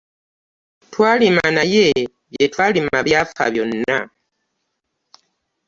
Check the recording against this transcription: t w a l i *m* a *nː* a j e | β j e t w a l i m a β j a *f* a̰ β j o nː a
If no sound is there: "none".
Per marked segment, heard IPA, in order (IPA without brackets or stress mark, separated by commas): m, n, f